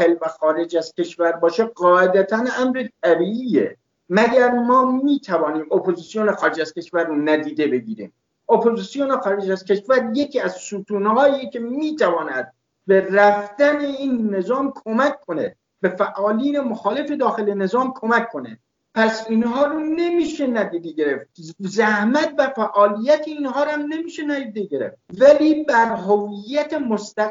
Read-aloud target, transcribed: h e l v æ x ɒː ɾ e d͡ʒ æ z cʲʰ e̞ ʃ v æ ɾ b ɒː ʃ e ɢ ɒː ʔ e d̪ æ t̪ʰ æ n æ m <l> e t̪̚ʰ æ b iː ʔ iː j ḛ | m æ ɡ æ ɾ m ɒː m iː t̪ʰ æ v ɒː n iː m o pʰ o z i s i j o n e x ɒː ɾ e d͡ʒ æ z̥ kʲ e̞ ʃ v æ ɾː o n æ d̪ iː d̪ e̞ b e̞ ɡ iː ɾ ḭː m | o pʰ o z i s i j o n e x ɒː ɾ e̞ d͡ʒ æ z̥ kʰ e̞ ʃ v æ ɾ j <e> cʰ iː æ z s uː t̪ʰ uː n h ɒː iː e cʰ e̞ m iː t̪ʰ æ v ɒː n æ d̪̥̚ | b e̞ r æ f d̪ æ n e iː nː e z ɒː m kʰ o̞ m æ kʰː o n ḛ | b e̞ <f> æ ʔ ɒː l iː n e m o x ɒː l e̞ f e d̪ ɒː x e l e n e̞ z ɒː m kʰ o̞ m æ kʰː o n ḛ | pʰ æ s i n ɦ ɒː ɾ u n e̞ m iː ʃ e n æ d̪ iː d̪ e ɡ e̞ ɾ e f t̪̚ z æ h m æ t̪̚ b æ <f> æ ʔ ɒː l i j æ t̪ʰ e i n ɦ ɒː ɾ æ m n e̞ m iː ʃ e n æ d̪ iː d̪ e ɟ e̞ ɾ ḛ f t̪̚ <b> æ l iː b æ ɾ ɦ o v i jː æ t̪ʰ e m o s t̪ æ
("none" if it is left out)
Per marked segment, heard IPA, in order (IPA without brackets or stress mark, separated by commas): ɾ, e, f, f, v